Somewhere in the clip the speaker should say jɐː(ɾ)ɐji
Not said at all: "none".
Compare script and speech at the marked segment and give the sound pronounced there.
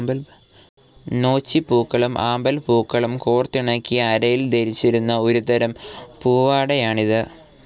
ɾ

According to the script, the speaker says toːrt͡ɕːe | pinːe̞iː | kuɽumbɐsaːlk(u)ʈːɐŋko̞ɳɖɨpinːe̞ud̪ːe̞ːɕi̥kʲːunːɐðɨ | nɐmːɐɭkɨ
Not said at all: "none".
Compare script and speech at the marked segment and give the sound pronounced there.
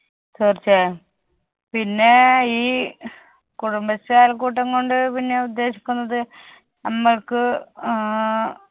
uː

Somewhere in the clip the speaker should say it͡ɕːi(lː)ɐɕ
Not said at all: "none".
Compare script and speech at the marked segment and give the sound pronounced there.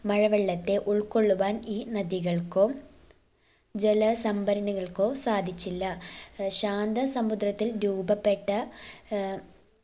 lː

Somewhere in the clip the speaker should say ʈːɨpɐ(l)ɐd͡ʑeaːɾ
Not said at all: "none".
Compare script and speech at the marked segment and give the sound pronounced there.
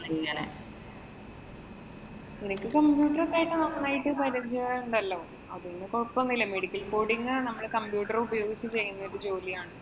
ɾ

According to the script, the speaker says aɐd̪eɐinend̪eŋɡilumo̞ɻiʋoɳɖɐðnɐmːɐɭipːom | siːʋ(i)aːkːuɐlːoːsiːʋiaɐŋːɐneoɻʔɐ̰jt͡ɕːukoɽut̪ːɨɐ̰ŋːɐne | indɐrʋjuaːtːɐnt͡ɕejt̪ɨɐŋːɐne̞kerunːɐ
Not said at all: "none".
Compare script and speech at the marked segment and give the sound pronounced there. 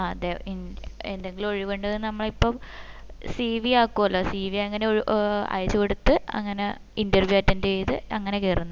i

